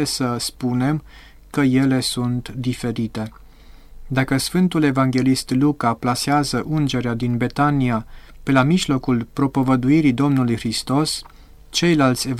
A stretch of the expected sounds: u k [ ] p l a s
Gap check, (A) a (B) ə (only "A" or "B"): A